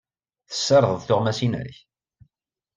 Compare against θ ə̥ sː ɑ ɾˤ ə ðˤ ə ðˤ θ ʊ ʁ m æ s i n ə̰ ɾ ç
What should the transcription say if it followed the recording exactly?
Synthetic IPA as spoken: θ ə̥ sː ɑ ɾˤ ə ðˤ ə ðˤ θ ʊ ʁ m æ s i n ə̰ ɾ ç